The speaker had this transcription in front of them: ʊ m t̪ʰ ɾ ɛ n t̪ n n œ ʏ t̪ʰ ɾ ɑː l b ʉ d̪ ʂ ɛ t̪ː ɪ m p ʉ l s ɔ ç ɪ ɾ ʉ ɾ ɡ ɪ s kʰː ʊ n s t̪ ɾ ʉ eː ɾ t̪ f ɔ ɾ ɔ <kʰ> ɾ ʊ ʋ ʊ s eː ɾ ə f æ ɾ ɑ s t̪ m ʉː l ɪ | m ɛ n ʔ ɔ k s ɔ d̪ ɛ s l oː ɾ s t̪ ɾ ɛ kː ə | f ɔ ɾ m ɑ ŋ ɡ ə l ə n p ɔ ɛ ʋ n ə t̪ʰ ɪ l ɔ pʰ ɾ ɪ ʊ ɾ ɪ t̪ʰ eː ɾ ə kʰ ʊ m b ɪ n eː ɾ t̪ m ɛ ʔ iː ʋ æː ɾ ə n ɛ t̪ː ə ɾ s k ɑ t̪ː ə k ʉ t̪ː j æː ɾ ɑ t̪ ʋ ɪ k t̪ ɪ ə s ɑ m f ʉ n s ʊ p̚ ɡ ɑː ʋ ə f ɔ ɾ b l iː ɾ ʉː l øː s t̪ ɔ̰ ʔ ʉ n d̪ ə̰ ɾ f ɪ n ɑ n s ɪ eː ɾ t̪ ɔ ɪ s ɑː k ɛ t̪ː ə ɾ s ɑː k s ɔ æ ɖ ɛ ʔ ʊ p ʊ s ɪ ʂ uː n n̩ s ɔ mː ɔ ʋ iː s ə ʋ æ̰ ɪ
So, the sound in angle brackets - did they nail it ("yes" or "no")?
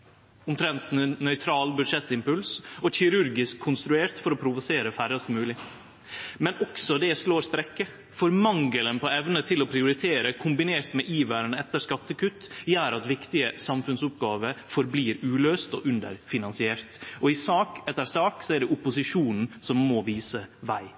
no